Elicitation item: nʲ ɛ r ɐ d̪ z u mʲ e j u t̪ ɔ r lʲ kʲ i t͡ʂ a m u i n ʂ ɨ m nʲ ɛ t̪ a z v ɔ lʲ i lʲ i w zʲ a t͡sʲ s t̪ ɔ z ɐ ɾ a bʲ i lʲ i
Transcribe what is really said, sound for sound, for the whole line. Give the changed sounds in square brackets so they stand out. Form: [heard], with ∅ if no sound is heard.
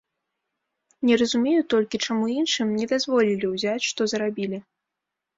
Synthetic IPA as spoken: nʲ ɛ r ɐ [∅] z u mʲ e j u t̪ ɔ [∅] lʲ kʲ i t͡ʂ a m u i n ʂ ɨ m nʲ ɛ [d̪] a z v ɔ lʲ i lʲ i w zʲ a t͡sʲ [ʂ] t̪ ɔ z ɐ ɾ a bʲ i lʲ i